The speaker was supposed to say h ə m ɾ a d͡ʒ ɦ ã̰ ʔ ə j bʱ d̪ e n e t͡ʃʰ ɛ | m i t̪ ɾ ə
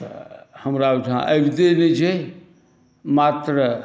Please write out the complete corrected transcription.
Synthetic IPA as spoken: h ə m ɾ a d͡ʒ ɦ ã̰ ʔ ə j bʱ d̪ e n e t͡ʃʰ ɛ | m a t̪ ɾ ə